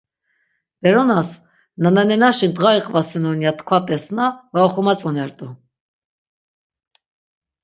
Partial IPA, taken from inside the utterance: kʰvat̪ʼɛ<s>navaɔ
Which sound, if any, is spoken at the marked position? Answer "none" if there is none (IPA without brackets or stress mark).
s